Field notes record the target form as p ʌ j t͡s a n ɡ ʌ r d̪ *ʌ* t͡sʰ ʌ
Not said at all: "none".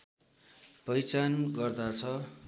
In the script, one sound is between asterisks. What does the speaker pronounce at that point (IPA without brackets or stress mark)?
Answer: a